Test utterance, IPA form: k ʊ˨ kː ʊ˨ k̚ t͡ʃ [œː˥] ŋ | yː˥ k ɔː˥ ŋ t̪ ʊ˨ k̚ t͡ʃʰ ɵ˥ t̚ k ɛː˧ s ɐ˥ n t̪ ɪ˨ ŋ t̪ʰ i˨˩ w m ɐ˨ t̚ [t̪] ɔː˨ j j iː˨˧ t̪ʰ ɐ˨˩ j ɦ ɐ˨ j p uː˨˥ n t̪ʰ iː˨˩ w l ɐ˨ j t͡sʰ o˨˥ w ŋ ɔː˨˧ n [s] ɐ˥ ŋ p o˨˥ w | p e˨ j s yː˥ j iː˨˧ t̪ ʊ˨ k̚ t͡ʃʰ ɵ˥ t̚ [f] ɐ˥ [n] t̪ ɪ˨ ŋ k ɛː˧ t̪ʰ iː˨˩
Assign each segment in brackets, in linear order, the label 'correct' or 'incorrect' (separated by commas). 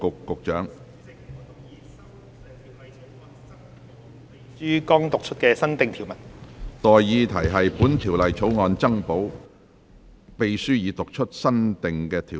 incorrect, correct, incorrect, incorrect, correct